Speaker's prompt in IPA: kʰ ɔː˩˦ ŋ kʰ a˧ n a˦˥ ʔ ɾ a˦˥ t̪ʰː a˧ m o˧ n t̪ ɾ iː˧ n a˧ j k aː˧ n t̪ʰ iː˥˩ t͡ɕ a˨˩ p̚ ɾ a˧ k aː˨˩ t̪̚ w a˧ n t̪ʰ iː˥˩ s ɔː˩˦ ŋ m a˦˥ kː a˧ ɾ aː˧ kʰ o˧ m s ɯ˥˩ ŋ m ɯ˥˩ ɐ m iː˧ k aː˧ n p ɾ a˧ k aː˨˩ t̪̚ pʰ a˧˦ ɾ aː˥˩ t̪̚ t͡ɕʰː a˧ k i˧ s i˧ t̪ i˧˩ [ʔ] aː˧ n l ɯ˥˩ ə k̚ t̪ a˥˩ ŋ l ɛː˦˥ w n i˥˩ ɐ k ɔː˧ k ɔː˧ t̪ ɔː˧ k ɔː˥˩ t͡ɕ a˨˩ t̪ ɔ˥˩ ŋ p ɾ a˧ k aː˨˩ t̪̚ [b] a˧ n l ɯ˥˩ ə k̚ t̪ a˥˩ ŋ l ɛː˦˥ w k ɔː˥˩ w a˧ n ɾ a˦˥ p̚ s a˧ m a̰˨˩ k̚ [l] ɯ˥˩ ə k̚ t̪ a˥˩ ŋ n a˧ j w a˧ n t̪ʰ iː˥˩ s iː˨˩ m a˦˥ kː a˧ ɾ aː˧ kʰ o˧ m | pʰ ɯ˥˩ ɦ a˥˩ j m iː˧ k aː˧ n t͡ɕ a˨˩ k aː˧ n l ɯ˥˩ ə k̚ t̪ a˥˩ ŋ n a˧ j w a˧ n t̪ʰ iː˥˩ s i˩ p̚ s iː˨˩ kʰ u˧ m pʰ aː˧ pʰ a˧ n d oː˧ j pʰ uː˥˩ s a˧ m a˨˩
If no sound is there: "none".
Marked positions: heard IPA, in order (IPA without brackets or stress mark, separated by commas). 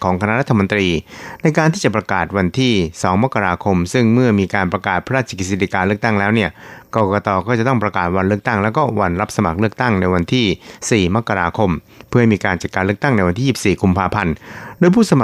k, w, l